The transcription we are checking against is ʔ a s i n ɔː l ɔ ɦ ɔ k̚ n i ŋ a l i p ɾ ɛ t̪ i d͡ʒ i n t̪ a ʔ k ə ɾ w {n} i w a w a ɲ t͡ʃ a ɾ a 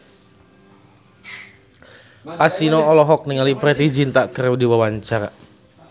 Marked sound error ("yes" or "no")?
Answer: yes